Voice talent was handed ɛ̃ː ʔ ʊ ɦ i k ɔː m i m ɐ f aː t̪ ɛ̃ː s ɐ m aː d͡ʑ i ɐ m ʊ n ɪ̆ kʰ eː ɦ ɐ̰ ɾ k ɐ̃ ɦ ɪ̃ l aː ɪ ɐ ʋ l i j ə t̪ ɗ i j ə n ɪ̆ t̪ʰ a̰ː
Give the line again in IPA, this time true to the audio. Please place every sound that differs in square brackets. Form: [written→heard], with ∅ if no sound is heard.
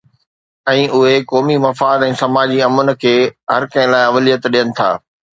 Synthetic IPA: ɛ̃ː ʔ ʊ ɦ [i→e] k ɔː m i m ɐ f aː [t̪→d̪] ɛ̃ː s ɐ m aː d͡ʑ i ɐ m ʊ n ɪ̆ kʰ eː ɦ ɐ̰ ɾ k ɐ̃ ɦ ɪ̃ l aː ɪ ɐ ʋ l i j ə t̪ ɗ i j ə n ɪ̆ t̪ʰ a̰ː